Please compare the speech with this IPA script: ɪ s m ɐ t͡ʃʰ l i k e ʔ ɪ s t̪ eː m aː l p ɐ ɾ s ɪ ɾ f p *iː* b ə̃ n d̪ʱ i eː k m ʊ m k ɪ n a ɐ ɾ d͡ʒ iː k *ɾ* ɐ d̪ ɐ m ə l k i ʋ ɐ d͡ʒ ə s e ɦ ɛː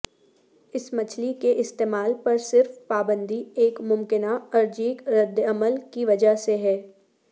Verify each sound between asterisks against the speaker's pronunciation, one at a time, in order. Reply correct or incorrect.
incorrect: aː, correct

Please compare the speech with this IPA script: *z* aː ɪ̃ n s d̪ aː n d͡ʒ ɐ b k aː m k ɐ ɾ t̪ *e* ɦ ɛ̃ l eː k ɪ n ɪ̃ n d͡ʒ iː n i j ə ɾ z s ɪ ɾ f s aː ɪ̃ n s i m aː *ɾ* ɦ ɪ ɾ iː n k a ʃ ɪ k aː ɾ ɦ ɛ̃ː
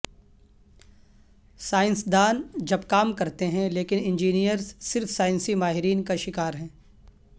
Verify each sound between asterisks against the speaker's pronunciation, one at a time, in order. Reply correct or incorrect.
incorrect: s, correct, incorrect: none

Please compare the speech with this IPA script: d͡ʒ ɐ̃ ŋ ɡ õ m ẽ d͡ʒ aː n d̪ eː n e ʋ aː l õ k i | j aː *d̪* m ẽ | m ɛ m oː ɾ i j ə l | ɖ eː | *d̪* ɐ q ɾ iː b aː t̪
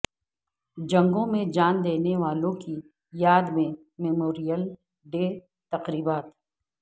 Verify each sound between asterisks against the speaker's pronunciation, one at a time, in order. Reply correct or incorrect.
correct, incorrect: t̪

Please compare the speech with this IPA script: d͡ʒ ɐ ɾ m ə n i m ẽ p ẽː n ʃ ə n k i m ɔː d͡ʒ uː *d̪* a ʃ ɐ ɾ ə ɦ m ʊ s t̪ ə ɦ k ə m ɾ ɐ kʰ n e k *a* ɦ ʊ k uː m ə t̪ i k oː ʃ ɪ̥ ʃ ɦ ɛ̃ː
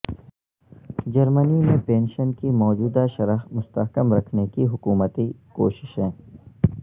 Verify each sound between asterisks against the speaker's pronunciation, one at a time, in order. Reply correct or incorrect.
correct, incorrect: i

